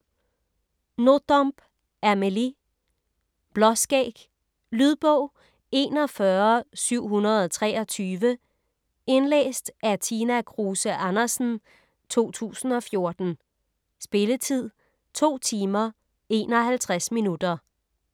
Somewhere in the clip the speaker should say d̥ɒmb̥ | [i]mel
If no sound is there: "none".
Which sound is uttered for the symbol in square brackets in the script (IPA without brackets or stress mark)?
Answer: æ